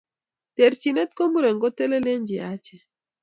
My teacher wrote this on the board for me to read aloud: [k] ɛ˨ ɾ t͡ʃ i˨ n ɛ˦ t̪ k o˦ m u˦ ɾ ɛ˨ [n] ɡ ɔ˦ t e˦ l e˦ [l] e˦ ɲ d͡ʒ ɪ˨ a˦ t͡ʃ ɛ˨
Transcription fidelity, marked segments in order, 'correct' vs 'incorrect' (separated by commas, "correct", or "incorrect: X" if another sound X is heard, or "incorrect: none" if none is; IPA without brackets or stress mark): incorrect: t, incorrect: ŋ, correct